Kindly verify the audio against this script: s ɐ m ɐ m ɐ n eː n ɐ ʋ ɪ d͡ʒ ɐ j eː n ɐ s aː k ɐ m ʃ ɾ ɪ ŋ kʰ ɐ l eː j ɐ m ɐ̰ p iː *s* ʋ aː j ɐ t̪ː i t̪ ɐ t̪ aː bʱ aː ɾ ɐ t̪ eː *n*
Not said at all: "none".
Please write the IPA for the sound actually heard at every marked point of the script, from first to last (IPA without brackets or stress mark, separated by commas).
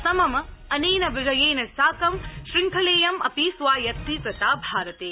s, none